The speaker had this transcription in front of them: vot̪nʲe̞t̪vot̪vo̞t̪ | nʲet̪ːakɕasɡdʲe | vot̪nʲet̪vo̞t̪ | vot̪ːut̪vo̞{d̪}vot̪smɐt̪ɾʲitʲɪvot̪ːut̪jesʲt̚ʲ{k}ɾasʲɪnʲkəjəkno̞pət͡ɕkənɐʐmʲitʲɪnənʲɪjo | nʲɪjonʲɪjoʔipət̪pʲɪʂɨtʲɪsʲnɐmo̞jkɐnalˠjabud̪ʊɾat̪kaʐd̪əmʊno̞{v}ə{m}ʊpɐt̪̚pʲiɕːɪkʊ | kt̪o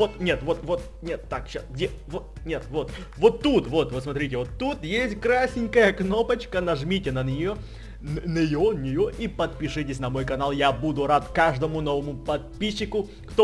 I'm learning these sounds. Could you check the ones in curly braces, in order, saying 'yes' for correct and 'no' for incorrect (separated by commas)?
no, yes, yes, yes